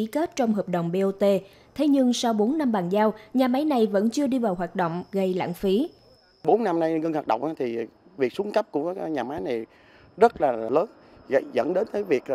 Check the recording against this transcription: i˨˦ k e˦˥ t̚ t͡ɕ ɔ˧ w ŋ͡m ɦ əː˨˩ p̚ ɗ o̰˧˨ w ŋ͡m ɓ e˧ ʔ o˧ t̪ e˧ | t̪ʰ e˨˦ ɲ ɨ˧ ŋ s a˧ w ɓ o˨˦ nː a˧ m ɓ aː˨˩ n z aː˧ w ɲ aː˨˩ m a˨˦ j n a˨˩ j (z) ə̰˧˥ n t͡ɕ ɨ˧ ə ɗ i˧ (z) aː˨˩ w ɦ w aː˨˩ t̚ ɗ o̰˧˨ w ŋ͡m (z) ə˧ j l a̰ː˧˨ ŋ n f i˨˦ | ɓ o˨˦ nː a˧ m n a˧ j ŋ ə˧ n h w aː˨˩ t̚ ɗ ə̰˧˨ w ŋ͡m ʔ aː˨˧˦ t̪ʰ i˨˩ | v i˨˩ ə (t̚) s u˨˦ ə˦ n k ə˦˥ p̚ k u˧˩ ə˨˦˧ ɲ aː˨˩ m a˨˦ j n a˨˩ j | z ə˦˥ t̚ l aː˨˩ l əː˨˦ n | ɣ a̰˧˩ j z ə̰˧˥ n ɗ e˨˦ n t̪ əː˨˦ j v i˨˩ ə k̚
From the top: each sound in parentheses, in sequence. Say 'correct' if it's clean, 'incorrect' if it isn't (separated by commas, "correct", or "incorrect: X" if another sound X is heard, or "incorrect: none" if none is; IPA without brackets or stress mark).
incorrect: v, incorrect: v, incorrect: ɣ, incorrect: k̚